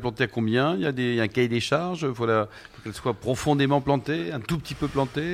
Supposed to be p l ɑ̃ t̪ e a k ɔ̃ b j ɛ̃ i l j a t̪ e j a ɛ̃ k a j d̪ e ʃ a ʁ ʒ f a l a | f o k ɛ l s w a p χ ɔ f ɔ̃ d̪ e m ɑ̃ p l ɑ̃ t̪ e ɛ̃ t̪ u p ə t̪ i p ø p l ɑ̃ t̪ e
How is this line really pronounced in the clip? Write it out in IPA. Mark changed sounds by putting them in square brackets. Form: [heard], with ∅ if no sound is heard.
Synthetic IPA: p l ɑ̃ t̪ e a k ɔ̃ b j ɛ̃ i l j a [d̪] e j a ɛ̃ k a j d̪ e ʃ a ʁ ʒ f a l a | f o k ɛ l s w a p χ ɔ f ɔ̃ d̪ e m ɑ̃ p l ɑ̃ t̪ e ɛ̃ t̪ u p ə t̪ i p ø p l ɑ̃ t̪ e